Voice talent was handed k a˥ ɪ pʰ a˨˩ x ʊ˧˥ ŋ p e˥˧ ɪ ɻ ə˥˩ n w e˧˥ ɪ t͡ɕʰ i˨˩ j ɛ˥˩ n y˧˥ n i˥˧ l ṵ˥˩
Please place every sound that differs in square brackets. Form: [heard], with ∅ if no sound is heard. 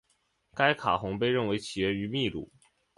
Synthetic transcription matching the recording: k a˥ ɪ [kʰ] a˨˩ x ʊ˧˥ ŋ p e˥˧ ɪ ɻ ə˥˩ n w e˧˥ ɪ t͡ɕʰ i˨˩ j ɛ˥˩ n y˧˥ [m] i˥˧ l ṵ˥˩